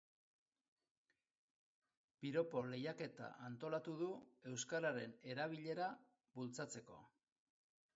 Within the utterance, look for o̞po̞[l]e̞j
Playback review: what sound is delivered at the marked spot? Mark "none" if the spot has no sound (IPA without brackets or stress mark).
l